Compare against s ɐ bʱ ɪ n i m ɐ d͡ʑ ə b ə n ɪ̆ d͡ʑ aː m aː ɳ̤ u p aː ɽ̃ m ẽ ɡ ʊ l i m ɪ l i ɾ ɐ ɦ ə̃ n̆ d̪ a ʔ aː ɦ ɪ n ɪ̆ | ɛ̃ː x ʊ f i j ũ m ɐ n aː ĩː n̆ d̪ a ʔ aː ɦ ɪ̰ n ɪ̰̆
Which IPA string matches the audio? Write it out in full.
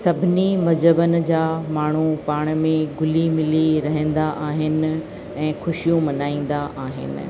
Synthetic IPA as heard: s ɐ bʱ ɪ n i m ɐ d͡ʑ ə b ə n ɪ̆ d͡ʑ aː m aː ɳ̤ u p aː ɽ̃ m ẽ ɡ ʊ l i m ɪ l i ɾ ɐ ɦ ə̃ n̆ d̪ a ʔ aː ɦ ɪ n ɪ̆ | ɛ̃ː x ʊ ʃ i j ũ m ɐ n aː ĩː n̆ d̪ a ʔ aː ɦ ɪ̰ n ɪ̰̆